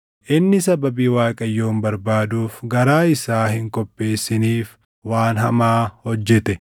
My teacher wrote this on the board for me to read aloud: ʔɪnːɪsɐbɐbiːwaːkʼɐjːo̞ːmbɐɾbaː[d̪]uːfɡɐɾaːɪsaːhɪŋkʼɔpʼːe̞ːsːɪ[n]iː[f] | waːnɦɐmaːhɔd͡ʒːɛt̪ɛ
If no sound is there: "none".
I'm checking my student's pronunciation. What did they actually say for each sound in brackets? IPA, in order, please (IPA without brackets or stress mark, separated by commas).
d̪, n, f